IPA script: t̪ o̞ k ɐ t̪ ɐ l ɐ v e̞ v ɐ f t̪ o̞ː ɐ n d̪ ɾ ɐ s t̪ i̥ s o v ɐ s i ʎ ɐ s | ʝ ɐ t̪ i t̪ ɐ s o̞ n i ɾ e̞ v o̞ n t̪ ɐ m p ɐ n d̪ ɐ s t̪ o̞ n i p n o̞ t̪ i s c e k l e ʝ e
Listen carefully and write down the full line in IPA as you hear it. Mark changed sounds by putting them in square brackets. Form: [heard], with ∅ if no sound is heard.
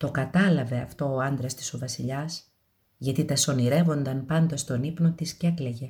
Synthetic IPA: t̪ o̞ k ɐ t̪ ɐ l ɐ v e̞ [∅] ɐ f t̪ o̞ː ɐ n d̪ ɾ ɐ s t̪ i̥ s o v ɐ s i ʎ ɐ s | ʝ ɐ t̪ i t̪ ɐ s o̞ n i ɾ e̞ v o̞ n [d̪] ɐ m p ɐ n d̪ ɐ s t̪ o̞ n i p n o̞ t̪ i s c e k l e ʝ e